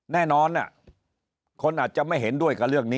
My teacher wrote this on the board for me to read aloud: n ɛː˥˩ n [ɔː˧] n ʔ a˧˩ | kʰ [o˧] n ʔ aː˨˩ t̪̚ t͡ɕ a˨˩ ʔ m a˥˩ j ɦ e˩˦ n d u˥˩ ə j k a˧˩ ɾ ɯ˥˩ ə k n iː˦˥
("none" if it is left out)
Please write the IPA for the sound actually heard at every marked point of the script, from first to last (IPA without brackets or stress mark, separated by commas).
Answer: ɔː˧, o˧